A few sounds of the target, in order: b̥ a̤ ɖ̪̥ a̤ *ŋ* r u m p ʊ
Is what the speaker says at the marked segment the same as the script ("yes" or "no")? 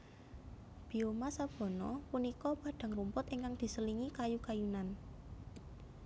yes